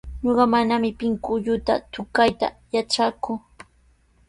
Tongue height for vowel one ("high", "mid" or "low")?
mid